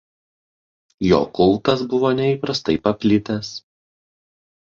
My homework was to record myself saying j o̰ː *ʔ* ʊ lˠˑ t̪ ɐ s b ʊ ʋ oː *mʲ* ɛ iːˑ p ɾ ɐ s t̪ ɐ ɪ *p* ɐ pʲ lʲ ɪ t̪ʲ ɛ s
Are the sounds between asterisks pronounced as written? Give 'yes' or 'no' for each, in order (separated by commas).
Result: no, no, yes